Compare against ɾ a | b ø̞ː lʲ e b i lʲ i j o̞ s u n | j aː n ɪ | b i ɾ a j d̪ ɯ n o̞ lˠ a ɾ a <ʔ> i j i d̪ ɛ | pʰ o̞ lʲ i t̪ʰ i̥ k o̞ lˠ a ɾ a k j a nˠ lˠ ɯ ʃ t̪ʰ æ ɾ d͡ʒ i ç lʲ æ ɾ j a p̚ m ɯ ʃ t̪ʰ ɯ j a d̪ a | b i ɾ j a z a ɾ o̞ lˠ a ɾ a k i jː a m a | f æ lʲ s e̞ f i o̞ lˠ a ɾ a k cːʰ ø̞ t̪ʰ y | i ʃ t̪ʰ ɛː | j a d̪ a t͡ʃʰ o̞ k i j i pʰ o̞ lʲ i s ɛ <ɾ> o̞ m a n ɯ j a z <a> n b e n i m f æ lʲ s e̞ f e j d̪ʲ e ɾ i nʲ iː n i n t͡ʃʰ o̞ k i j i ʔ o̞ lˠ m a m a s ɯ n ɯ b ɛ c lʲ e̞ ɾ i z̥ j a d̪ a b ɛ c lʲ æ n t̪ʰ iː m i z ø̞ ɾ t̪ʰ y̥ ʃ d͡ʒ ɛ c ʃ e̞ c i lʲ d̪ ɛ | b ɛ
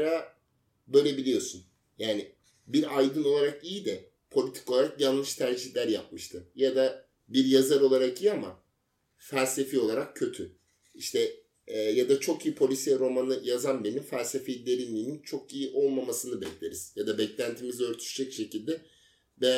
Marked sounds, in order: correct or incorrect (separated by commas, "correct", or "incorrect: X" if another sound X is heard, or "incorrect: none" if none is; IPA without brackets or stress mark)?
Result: incorrect: k, correct, correct